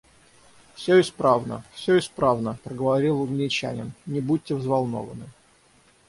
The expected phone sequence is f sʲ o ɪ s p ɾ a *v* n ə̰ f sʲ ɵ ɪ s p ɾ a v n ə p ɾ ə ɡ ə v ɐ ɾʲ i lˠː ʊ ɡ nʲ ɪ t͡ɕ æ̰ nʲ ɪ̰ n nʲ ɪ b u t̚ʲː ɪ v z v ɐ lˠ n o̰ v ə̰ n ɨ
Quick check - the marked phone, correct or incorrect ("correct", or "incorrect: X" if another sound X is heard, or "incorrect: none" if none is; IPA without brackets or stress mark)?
correct